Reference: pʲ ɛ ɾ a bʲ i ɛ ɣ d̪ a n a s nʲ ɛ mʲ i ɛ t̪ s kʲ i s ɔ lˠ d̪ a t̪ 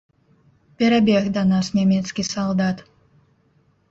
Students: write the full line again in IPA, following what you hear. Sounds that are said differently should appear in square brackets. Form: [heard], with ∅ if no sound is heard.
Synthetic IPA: pʲ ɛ ɾ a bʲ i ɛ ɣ d̪ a n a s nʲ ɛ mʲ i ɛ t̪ s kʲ i s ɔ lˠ d̪ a t̪